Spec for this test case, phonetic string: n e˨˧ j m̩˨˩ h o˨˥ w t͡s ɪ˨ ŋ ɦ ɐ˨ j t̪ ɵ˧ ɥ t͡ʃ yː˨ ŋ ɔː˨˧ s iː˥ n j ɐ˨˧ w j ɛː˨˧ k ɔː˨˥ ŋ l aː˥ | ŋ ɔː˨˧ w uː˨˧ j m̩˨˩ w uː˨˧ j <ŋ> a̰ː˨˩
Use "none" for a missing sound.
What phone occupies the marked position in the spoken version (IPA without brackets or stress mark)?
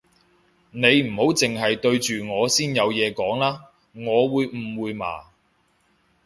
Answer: m